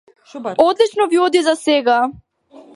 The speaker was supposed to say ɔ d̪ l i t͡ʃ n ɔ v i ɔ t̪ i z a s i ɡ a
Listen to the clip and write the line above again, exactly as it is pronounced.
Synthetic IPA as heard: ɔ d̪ l i t͡ʃ n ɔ v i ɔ d̪ i z a s ɛ ɡ a

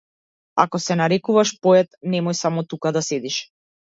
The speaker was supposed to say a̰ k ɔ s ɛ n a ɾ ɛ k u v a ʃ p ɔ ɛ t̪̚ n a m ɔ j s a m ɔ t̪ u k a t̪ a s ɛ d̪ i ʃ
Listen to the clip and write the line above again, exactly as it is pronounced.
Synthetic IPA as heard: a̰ k ɔ s ɛ n a ɾ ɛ k u v a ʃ p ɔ ɛ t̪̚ n ɛ m ɔ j s a m ɔ t̪ u k a d̪ a s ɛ d̪ i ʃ

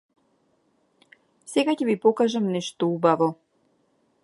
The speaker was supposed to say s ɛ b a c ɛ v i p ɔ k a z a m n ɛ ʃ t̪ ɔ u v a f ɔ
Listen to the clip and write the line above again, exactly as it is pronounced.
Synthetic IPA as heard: s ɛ ɡ a c ɛ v i p ɔ k a ʒ a m n ɛ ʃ t̪ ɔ u b a v ɔ

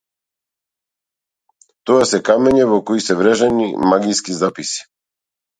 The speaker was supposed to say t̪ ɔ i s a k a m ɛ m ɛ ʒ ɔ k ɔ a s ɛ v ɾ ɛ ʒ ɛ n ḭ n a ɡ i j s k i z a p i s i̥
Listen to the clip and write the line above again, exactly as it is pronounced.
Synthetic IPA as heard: t̪ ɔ a s ɛ k a m ɛ ɲ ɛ v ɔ k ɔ i s ɛ v ɾ ɛ ʒ ɛ n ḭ m a ɡ i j s k i z a p i s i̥

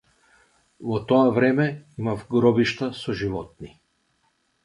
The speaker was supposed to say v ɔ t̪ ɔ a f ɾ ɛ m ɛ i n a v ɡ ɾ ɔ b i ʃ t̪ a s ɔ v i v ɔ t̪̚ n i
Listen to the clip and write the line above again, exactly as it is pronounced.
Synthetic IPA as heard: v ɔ t̪ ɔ a v ɾ ɛ m ɛ i m a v ɡ ɾ ɔ b i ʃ t̪ a s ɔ ʒ i v ɔ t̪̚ n i

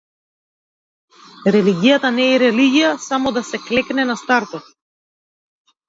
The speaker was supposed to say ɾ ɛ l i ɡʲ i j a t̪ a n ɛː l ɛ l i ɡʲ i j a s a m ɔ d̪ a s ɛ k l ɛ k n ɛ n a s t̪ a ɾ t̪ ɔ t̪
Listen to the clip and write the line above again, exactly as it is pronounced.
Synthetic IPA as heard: ɾ ɛ l i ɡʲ i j a t̪ a n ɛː ɾ ɛ l i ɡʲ i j a s a m ɔ d̪ a s ɛ k l ɛ k n ɛ n a s t̪ a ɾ t̪ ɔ t̪

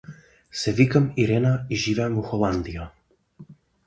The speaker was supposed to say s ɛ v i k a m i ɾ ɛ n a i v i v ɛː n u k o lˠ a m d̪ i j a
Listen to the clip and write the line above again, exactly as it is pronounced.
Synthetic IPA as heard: s ɛ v i k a m i ɾ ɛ n a i ʒ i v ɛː m u x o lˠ a n d̪ i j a

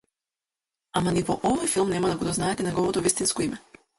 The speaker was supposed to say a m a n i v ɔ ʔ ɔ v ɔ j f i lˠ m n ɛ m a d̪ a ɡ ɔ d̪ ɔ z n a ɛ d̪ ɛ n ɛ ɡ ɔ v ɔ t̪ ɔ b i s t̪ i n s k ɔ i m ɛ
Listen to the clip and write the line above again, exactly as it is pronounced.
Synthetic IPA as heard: a m a n i v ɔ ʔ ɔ v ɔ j f i lˠ m n ɛ m a d̪ a ɡ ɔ d̪ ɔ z n a ɛ t̪ ɛ n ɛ ɡ ɔ v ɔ t̪ ɔ v i s t̪ i n s k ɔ i m ɛ

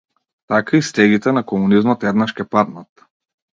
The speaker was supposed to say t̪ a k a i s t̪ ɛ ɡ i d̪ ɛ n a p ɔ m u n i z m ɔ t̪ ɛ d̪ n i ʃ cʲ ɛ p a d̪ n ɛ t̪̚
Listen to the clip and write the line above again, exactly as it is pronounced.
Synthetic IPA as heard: t̪ a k a i s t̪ ɛ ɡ i t̪ ɛ n a k ɔ m u n i z m ɔ t̪ ɛ d̪ n a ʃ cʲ ɛ p a d̪ n a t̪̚

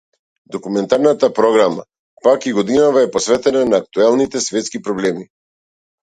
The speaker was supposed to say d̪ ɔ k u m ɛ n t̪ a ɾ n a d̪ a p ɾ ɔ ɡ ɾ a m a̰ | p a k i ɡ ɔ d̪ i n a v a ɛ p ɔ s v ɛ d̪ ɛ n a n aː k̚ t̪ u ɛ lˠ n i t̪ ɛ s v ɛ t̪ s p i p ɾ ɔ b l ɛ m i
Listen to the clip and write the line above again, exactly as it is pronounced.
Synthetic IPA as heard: d̪ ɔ k u m ɛ n t̪ a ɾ n a t̪ a p ɾ ɔ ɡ ɾ a m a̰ | p a k i ɡ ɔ d̪ i n a v a ɛ p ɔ s v ɛ t̪ ɛ n a n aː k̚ t̪ u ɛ lˠ n i t̪ ɛ s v ɛ t̪ s k i p ɾ ɔ b l ɛ m i

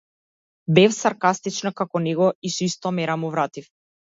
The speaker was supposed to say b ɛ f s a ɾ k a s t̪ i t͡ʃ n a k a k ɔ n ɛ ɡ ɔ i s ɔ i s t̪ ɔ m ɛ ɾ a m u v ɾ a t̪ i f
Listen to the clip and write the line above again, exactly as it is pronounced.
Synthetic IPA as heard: b ɛ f s a ɾ k a s t̪ i t͡ʃ n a k a k ɔ n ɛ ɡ ɔ i s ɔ i s t̪ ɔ m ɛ ɾ a m u v ɾ a t̪ i f

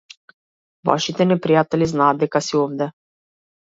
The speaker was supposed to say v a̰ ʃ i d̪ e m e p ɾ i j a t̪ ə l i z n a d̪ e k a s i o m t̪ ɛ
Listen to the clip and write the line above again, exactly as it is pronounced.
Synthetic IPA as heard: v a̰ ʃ i t̪ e n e p ɾ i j a t̪ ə l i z n a d̪ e k a s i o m d̪ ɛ

